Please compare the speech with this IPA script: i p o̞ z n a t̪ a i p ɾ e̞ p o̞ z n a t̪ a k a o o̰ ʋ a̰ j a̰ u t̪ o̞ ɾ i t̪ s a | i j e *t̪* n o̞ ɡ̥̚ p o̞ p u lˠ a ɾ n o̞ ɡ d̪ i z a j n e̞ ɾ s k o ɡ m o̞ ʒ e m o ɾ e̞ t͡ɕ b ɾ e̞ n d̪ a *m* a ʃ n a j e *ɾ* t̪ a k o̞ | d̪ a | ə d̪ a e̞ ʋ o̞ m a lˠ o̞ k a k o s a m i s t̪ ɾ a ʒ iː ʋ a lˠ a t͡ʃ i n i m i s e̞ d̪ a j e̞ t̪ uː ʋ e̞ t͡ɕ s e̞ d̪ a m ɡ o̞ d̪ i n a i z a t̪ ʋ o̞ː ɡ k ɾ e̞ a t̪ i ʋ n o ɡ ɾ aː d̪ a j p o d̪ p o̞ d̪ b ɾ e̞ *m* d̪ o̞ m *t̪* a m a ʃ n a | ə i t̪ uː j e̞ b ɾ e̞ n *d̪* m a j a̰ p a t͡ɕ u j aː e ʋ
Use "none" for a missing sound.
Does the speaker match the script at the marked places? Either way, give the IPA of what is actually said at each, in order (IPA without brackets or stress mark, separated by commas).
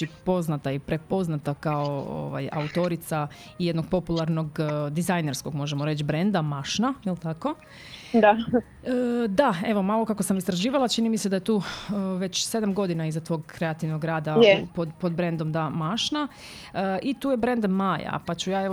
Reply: d̪, m, l, n, d̪, d̪